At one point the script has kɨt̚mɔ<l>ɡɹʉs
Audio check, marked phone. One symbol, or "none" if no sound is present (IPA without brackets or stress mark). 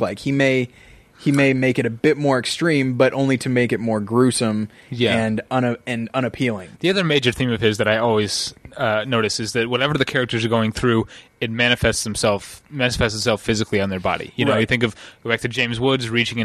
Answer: ɹ